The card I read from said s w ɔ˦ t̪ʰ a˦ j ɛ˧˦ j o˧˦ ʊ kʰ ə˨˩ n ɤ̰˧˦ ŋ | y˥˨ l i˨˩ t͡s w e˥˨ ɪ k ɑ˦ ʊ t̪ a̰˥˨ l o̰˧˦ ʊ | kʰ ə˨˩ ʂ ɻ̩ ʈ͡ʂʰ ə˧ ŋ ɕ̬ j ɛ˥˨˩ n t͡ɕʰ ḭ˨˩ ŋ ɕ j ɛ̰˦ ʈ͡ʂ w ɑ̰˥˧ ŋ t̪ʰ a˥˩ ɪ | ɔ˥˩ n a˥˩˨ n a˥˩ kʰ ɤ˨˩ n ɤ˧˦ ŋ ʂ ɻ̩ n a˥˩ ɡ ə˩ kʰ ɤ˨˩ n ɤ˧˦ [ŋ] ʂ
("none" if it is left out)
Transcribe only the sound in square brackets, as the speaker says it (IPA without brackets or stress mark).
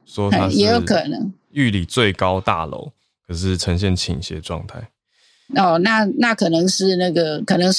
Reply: ŋ